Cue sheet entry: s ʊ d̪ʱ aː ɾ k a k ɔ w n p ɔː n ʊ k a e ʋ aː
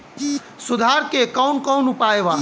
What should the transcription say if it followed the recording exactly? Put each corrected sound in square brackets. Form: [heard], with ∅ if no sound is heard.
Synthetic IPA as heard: s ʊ d̪ʱ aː ɾ k [e] k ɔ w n [k] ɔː n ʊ [p] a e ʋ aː

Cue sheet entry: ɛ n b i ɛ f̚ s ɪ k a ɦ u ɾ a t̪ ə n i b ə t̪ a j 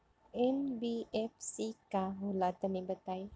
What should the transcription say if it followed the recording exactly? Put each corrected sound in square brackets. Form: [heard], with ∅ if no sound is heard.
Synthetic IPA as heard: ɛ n b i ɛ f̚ s [i] k a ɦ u [l] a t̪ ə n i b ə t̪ a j

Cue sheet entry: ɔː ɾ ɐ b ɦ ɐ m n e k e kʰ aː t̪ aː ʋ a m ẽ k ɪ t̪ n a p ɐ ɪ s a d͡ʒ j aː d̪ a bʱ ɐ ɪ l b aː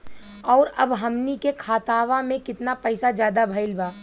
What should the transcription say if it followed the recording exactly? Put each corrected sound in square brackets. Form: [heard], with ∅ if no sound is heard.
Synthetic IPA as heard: ɔː ɾ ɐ b ɦ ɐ m n [i] k e kʰ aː t̪ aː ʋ a m ẽ k ɪ t̪ n a p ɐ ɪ s a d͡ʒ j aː d̪ a bʱ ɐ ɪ l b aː

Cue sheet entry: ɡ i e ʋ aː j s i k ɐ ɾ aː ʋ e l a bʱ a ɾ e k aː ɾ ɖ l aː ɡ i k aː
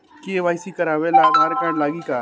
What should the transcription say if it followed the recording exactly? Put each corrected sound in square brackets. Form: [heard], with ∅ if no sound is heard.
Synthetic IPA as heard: [k] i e ʋ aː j s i k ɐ ɾ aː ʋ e l a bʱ a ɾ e k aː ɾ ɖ l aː ɡ i k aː

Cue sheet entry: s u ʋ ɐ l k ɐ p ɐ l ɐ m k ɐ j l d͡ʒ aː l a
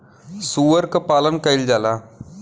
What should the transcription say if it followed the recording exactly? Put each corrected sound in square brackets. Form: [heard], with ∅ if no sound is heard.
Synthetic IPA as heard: s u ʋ ɐ [ɾ] k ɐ p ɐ l ɐ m k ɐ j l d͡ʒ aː l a

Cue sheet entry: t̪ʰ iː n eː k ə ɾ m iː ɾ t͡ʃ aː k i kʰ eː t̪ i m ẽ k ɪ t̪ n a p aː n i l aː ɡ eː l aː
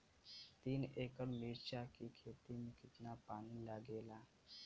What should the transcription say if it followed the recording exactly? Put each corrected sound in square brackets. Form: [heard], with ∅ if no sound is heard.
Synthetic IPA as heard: [t̪] iː n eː k ə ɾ m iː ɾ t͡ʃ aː k i kʰ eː t̪ i m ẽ k ɪ t̪ n a p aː n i l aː ɡ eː l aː

